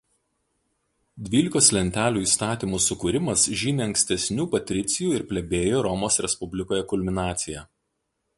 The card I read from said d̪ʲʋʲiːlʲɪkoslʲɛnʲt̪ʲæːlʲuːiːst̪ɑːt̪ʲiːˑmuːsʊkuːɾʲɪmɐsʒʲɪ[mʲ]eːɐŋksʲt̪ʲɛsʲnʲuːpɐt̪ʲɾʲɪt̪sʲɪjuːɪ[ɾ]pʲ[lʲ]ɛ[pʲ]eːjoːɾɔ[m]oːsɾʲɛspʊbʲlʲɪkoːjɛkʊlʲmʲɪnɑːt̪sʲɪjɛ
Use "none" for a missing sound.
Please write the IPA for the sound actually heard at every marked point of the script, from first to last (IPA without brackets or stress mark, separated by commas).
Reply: nʲ, ɾ, lʲ, bʲ, m